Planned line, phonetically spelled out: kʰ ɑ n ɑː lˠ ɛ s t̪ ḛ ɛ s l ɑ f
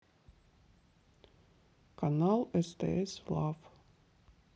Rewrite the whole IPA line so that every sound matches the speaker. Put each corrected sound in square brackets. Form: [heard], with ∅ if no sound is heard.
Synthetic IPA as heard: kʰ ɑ n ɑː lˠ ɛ s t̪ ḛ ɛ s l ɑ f